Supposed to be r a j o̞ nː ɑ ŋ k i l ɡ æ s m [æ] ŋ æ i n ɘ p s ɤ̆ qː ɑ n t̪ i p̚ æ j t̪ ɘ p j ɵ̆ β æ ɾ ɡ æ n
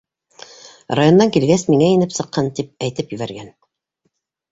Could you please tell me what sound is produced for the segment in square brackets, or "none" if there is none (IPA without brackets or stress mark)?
i